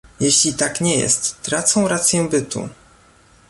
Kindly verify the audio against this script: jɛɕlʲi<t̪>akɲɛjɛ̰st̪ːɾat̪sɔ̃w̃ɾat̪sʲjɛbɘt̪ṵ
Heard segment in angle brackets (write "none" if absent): t̪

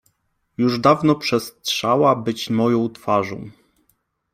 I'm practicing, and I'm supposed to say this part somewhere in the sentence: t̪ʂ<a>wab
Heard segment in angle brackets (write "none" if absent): a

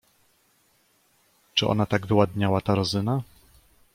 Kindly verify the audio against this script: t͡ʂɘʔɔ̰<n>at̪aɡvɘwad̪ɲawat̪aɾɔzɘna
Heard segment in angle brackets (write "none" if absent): n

